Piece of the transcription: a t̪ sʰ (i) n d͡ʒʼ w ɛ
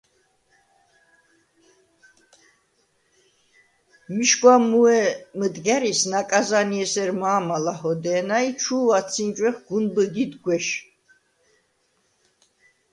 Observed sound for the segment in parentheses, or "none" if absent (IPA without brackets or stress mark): i